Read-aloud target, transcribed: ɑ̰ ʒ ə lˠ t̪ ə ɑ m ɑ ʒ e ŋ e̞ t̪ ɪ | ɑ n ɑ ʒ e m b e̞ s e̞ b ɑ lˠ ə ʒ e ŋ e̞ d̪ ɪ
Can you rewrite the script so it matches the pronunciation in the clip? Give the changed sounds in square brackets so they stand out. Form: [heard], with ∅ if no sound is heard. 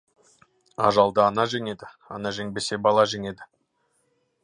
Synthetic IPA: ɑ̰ ʒ [ɑ] lˠ [d̪] ə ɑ [n] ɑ ʒ e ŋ e̞ [d̪] ɪ | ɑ n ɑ ʒ e [ŋ] b e̞ s e̞ b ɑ lˠ [ɑ] ʒ e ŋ e̞ d̪ ɪ